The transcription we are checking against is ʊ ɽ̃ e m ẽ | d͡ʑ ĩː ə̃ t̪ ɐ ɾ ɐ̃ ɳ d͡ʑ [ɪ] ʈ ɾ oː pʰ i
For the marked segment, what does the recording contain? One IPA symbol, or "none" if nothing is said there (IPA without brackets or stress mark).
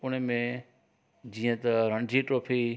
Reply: i